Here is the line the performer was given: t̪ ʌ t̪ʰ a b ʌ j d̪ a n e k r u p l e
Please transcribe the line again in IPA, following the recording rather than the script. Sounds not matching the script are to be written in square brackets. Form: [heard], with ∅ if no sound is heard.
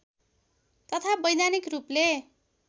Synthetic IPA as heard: t̪ ʌ t̪ʰ a b ʌ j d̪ a n [i] k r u p l e